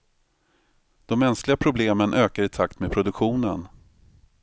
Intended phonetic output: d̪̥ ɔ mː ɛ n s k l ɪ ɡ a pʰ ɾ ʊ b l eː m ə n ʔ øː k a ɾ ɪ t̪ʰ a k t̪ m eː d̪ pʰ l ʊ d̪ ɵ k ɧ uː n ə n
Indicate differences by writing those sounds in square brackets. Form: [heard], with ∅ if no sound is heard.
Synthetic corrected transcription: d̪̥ ɔ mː ɛ n s k l ɪ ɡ a pʰ ɾ ʊ b l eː m ə n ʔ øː k a ɾ ɪ t̪ʰ a k t̪ m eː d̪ pʰ [ɾ] ʊ d̪ ɵ k ɧ uː n ə n